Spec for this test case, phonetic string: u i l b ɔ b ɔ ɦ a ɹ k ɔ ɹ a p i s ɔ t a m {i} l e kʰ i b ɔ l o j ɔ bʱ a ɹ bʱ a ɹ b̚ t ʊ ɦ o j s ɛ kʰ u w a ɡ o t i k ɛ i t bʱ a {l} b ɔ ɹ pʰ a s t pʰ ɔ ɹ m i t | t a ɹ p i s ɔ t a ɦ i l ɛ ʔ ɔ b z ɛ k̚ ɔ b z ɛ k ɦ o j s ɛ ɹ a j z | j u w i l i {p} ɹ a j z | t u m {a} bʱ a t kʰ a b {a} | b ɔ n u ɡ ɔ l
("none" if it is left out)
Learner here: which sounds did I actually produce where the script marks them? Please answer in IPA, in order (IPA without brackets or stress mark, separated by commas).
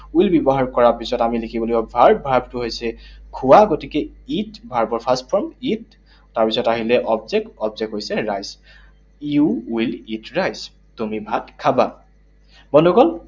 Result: i, ɹ, t, i, a